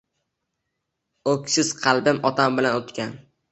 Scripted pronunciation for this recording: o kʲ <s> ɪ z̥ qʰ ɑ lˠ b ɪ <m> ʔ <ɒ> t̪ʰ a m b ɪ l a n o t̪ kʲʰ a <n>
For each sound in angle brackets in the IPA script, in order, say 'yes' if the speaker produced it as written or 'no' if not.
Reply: yes, yes, yes, yes

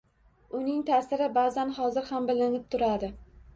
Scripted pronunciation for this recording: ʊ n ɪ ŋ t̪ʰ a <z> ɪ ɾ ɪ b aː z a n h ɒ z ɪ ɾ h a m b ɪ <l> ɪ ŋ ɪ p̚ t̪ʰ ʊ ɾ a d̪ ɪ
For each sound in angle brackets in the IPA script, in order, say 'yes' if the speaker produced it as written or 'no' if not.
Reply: no, yes

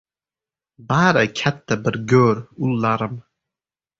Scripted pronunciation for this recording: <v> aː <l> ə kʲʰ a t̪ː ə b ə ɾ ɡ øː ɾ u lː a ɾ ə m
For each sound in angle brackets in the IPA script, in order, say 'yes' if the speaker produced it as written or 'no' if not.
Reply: no, no

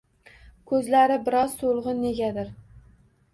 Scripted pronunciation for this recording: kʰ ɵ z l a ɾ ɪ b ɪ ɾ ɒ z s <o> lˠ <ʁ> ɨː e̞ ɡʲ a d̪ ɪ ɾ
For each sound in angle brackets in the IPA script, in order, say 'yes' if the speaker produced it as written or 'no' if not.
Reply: yes, yes

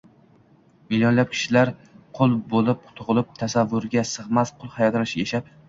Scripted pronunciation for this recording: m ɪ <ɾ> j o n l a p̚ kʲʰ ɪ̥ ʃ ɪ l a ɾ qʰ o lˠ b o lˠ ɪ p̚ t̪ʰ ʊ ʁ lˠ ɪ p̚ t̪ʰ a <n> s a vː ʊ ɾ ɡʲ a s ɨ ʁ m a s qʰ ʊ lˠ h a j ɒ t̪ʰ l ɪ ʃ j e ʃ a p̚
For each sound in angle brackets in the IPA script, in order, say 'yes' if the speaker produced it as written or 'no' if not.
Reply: no, no

